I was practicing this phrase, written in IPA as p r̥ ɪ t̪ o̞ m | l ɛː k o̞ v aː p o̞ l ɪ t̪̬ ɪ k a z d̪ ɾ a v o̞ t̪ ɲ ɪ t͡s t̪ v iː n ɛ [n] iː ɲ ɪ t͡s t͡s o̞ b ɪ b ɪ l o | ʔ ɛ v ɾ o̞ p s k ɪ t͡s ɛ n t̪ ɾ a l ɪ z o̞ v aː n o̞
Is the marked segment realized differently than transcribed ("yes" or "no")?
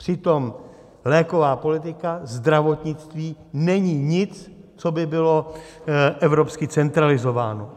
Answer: yes